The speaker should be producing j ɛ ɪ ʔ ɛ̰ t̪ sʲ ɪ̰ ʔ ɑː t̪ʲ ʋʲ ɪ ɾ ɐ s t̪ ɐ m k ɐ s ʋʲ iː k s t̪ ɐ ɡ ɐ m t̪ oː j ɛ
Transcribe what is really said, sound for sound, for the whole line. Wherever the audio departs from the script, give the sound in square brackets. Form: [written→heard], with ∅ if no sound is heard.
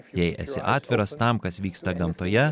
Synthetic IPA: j ɛ ɪ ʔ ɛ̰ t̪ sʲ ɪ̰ ʔ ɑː t̪ʲ ʋʲ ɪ ɾ ɐ s t̪ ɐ m k ɐ s ʋʲ iː k s t̪ ɐ ɡ ɐ m t̪ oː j ɛ